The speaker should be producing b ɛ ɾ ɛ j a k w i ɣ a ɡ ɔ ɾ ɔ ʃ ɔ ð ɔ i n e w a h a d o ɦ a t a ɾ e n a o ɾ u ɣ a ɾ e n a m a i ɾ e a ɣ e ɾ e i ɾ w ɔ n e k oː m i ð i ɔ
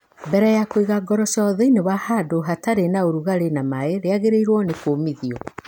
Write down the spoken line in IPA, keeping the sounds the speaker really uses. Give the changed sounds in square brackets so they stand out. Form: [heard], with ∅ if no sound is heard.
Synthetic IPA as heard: b ɛ ɾ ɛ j a k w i ɣ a ɡ ɔ ɾ ɔ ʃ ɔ ð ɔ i n e w a h a d o ɦ a t a ɾ e n a o ɾ u ɣ a ɾ e n a m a [e] ɾ e a ɣ e ɾ e i ɾ w ɔ n e k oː m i ð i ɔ